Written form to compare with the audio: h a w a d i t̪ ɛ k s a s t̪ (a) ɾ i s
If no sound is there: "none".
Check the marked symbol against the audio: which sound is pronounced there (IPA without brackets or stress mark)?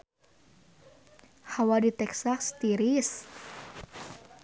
i